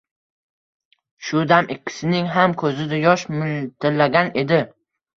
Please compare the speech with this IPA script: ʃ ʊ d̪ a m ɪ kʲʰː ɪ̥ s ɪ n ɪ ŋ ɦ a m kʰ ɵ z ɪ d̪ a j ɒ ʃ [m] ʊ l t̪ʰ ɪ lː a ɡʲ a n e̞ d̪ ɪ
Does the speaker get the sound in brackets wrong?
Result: no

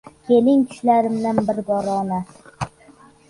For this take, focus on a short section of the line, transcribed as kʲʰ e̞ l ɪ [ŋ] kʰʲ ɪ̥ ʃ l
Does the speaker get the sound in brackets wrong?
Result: no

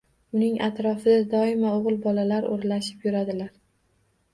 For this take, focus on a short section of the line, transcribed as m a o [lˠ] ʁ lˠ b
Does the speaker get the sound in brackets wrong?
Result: yes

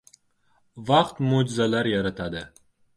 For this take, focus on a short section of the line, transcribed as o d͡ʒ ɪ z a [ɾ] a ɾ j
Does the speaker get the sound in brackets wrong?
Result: yes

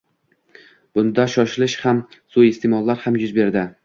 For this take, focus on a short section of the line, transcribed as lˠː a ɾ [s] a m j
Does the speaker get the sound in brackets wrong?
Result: yes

